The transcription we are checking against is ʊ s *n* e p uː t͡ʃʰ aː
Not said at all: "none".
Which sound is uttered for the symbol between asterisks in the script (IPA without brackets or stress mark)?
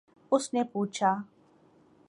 n